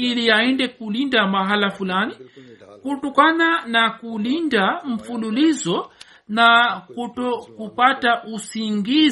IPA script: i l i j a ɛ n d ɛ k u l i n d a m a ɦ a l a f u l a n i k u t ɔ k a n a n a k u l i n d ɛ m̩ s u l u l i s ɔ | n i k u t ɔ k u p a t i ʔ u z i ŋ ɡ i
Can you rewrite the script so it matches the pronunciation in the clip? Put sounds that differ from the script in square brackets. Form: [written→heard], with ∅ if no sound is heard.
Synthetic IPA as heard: i l i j a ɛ n d ɛ k u l i n d a m a ɦ a l a f u l a n i k u t ɔ k a n a n a k u l i n d [ɛ→a] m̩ [s→f] u l u l i [s→z] ɔ | n [i→a] k u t ɔ k u p a t [i→a] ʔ u [z→s] i ŋ ɡ i